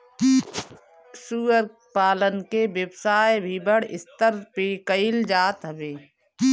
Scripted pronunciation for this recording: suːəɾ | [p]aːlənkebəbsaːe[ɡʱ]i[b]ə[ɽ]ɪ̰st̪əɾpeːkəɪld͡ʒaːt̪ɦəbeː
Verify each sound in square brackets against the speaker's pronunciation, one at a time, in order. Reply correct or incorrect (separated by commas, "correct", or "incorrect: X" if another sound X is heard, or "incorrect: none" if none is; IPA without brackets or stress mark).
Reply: correct, incorrect: bʱ, correct, correct